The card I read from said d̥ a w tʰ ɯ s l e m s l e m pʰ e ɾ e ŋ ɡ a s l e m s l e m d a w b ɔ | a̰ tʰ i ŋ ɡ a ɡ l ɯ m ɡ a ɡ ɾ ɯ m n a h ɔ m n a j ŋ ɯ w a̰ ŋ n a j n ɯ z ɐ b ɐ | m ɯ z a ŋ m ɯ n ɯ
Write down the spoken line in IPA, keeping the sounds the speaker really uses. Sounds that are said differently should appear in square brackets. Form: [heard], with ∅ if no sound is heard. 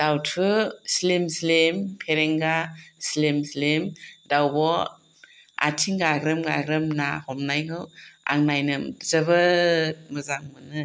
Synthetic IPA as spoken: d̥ a w tʰ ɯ s l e m s l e m pʰ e ɾ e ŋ ɡ a s l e m s l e m d a w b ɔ | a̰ tʰ i ŋ ɡ a ɡ [ɾ] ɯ m ɡ a ɡ ɾ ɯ m n a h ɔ m n a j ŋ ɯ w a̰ ŋ n a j n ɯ z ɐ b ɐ | m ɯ z a ŋ m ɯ n ɯ